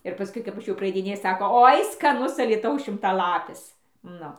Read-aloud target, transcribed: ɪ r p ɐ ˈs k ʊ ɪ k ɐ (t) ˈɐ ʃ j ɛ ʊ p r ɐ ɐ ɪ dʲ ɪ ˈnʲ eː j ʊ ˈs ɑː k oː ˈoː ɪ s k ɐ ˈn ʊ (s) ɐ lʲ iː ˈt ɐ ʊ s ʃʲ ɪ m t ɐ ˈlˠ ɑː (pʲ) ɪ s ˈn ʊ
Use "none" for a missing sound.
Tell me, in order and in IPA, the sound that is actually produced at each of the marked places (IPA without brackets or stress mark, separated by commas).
p, s, pʲ